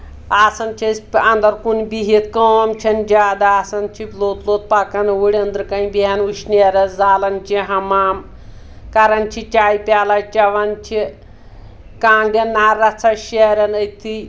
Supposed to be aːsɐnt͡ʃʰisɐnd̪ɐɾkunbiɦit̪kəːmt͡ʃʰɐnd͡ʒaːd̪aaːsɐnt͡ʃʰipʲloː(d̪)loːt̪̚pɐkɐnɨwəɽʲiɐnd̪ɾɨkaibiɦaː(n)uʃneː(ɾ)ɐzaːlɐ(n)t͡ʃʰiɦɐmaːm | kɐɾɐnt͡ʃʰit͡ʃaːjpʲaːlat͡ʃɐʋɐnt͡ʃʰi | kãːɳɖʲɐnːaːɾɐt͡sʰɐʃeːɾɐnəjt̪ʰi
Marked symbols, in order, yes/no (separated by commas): no, yes, yes, yes